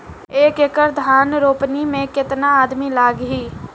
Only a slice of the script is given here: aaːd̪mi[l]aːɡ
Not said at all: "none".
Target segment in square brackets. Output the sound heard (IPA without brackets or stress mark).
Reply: l